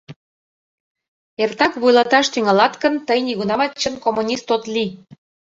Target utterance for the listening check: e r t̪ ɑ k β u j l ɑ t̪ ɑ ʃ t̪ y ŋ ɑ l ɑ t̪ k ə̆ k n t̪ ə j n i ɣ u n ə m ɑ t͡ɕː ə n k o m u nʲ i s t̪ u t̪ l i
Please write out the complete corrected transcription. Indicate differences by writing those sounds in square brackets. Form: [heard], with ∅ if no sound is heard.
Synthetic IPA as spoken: e r t̪ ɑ k β u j l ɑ t̪ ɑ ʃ t̪ y ŋ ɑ l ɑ t̪ k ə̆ [∅] n t̪ ə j n i ɣ u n [ɑ] m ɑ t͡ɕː ə n k o m u nʲ i s t̪ [o] t̪ l i